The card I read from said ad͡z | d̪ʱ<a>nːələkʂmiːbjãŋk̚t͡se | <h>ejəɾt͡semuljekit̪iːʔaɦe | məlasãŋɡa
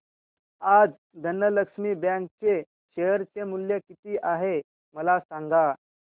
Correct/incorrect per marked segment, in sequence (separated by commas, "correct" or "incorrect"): incorrect, incorrect